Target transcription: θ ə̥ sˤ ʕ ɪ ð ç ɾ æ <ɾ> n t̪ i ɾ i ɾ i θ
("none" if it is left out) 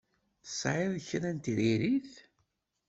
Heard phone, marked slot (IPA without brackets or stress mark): none